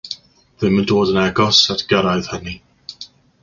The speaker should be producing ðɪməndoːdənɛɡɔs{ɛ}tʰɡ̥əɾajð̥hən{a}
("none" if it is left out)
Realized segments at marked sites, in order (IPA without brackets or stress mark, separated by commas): a, i